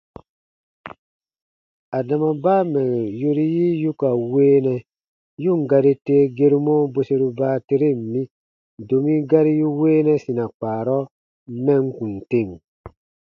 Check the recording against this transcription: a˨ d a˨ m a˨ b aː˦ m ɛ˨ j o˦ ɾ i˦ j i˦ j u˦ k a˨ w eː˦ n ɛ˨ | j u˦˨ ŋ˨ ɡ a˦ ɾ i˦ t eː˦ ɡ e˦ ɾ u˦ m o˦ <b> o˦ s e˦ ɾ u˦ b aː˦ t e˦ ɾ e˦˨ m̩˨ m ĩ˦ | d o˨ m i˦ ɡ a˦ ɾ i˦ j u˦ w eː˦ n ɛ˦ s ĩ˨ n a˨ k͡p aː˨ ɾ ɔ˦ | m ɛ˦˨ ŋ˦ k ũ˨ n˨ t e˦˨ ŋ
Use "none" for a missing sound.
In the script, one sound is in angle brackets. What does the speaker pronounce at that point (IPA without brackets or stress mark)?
b